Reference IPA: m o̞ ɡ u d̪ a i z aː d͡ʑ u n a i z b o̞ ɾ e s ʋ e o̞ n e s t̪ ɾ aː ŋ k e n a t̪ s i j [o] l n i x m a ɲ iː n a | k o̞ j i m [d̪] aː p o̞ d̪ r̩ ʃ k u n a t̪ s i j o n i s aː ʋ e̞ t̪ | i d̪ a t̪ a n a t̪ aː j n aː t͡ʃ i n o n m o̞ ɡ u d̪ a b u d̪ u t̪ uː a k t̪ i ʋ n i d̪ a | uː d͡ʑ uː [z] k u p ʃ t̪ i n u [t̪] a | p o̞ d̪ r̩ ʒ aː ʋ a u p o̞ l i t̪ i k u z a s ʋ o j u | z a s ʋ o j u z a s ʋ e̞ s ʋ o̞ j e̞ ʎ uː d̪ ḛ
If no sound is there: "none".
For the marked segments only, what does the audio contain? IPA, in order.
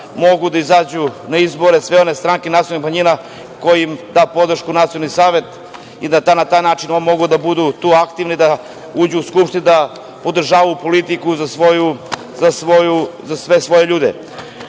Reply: o, d̪, s, d̪

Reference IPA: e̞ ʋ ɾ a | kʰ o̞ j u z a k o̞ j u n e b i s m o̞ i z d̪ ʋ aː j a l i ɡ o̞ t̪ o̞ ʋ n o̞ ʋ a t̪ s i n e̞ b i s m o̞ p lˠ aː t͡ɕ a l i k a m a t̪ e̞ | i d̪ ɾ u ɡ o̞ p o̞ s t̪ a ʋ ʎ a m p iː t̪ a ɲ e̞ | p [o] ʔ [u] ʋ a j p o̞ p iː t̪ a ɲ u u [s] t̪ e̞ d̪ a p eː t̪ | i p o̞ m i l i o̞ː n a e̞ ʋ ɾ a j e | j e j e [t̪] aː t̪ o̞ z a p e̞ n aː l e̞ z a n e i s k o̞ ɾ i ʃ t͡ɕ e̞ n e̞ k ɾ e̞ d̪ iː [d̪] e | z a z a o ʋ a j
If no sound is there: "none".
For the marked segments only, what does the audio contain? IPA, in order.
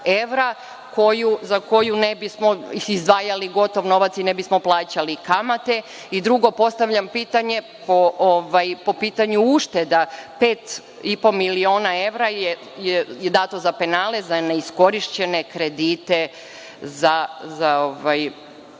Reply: o, o, ʃ, d̪, t̪

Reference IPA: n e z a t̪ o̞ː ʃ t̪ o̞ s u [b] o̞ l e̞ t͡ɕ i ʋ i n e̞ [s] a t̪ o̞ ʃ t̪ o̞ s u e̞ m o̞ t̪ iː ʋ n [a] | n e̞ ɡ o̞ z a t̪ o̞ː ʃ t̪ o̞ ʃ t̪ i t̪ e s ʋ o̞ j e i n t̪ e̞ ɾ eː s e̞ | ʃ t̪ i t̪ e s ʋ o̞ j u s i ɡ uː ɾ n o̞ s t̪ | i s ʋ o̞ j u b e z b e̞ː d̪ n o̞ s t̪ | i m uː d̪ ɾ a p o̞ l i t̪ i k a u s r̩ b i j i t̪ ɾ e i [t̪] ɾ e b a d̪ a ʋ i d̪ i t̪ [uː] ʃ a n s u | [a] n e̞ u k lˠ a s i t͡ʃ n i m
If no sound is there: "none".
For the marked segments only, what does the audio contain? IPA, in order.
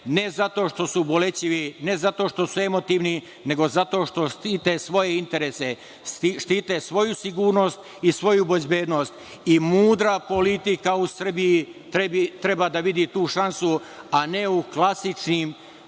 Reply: b, z, i, t̪, uː, a

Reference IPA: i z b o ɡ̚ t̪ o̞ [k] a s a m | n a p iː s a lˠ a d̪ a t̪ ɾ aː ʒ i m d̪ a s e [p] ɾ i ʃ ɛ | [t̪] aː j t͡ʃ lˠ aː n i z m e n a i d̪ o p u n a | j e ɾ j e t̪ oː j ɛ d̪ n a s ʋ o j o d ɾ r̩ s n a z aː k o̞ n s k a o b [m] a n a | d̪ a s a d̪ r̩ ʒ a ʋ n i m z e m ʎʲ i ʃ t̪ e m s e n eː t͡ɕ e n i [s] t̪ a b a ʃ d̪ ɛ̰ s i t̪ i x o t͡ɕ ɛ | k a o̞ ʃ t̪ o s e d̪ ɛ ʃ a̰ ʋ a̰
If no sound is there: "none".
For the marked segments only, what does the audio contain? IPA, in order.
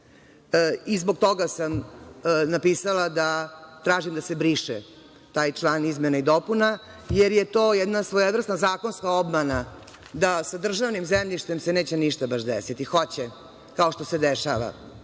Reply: ɡ, b, t̪, m, ʃ

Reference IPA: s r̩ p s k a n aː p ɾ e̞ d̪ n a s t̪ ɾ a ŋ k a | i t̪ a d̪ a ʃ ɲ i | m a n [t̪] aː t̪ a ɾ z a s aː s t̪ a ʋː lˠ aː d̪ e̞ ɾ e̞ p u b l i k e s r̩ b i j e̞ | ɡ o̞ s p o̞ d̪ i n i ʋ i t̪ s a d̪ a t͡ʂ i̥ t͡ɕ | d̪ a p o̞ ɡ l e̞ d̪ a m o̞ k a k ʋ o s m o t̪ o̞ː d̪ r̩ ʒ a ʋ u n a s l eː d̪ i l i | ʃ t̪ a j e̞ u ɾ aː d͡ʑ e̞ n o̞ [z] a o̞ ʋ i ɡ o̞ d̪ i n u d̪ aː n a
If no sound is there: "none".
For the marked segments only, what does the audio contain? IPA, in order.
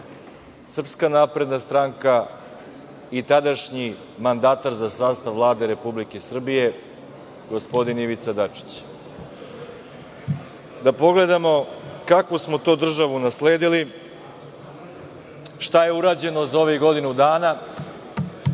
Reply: d̪, z

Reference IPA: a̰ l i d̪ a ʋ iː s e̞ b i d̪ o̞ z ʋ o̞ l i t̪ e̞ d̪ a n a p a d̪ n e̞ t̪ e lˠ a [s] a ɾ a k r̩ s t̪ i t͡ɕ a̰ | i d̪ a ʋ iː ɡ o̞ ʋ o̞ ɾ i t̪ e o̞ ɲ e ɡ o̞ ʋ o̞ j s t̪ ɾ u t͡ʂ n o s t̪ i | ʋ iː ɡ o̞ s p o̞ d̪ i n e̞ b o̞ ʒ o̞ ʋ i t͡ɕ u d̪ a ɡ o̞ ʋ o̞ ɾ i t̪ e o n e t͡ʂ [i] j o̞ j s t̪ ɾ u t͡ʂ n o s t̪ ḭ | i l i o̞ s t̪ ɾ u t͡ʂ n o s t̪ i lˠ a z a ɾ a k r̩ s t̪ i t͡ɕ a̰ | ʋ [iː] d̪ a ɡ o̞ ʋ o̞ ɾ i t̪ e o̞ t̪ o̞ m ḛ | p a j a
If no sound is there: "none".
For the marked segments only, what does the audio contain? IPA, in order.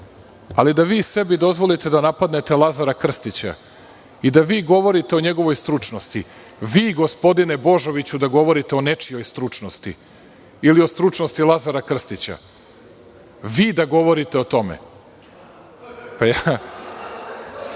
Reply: z, i, iː

